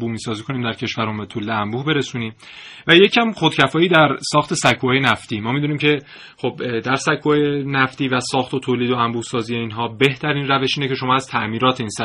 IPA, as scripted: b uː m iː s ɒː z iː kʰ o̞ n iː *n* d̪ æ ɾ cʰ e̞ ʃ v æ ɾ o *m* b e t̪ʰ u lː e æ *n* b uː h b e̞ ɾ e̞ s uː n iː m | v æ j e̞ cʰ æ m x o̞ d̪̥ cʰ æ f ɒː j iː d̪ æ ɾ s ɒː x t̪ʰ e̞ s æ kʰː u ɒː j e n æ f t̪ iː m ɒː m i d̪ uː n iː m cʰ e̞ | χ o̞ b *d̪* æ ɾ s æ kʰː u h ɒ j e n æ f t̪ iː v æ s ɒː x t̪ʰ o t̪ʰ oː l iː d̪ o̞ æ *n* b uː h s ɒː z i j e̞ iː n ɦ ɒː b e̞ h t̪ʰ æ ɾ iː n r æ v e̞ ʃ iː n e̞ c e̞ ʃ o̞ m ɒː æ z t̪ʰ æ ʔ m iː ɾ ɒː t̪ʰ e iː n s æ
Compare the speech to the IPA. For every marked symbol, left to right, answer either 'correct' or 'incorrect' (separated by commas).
incorrect, correct, incorrect, correct, incorrect